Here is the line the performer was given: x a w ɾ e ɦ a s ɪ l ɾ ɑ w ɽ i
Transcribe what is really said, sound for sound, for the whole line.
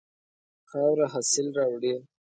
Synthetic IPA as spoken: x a w ɾ a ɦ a s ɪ l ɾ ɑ w ɽ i